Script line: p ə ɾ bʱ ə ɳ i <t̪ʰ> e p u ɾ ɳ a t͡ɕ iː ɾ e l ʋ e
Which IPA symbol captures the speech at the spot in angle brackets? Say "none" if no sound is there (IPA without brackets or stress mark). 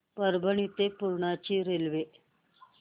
t̪